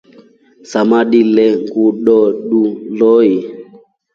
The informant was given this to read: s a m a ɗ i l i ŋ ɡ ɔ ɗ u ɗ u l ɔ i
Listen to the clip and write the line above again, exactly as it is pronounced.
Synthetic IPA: s a m a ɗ i l ɛ ŋ ɡ u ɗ ɔ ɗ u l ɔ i